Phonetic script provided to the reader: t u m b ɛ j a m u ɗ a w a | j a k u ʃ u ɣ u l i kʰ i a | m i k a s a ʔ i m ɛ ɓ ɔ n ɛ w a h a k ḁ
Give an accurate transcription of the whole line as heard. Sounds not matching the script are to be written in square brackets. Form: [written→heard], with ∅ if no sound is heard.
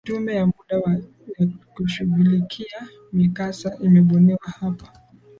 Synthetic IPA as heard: t u m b ɛ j a m u ɗ a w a | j a k u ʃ u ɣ u l i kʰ i a | m i k a s a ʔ i m ɛ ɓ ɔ n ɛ w a h a [k→p] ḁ